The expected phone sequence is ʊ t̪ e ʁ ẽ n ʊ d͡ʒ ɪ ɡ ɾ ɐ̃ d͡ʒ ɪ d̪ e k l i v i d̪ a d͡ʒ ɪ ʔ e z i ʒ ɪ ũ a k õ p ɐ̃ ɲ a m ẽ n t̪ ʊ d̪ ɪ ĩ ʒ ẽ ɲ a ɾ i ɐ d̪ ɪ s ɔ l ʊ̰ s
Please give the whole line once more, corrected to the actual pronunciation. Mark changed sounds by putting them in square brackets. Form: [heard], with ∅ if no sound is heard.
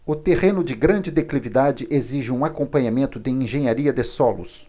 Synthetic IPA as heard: ʊ t̪ e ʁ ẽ n ʊ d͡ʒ ɪ ɡ ɾ ɐ̃ d͡ʒ ɪ d̪ e k l i v i d̪ a d͡ʒ ɪ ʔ e z i ʒ ɪ ũ a k õ p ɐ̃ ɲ a m ẽ n t̪ ʊ d̪ ɪ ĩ ʒ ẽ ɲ a ɾ i ɐ d̪ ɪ s ɔ l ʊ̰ s